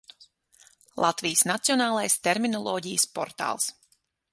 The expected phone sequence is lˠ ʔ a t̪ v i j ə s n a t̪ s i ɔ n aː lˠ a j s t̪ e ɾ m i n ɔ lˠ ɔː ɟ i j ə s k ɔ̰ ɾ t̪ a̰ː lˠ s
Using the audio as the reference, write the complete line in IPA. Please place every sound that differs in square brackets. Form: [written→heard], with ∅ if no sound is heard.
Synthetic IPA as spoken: lˠ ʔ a t̪ v i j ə s n a t̪ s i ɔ n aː lˠ a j s t̪ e ɾ m i n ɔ lˠ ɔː ɟ i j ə s [k→p] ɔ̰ ɾ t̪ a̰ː lˠ s